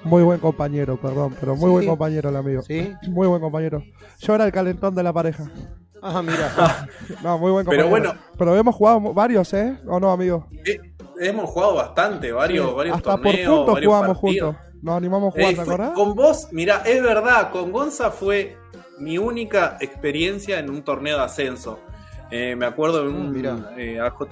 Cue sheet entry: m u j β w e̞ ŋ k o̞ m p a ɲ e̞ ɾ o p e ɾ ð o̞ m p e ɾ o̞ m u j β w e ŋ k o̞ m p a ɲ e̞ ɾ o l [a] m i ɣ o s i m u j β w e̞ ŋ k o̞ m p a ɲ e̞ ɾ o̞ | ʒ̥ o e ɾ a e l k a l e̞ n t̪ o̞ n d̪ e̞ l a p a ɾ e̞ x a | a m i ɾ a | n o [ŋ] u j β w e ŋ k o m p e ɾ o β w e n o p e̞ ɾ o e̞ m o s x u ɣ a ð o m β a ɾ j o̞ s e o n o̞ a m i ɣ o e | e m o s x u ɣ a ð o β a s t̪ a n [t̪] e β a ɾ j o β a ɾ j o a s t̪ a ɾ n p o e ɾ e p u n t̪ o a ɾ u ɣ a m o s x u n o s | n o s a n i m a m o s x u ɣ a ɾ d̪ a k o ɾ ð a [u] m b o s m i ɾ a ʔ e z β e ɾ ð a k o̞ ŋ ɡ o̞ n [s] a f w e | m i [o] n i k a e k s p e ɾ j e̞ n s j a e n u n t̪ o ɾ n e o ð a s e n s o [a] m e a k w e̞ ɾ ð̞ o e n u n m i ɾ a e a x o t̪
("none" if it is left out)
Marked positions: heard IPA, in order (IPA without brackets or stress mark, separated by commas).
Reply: a, m, t̪, o, s, u, e